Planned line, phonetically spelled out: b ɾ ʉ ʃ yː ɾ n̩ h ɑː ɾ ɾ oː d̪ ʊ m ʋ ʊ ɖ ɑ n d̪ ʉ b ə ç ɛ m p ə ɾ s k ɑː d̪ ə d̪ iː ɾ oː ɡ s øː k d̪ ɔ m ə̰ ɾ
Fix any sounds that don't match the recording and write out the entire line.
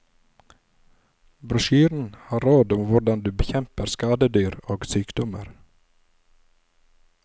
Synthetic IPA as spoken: b ɾ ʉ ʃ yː ɾ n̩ h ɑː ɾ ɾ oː d̪ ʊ m ʋ ʊ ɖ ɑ n d̪ ʉː b ə ç ɛ m p ə ɾ s k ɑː d̪ ə d̪ yː ɾ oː ɡ s yː k d̪ ɔ m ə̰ ɾ